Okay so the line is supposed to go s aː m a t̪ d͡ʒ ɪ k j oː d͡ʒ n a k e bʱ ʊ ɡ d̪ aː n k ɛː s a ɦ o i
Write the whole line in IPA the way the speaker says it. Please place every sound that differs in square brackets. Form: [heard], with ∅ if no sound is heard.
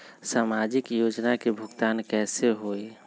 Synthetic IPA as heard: s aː m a [∅] d͡ʒ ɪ k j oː d͡ʒ n a k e bʱ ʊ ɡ [t̪] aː n k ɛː s [e] ɦ o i